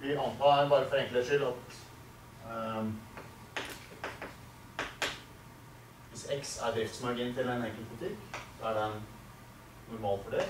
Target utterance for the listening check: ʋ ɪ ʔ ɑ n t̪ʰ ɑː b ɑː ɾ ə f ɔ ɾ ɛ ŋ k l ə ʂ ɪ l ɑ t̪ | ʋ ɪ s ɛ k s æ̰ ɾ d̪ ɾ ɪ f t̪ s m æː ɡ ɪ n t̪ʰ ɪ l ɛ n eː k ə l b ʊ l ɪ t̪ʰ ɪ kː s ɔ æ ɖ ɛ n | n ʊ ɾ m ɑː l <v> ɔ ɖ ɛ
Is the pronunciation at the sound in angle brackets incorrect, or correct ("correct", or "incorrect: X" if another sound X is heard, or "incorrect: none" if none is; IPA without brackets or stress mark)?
incorrect: f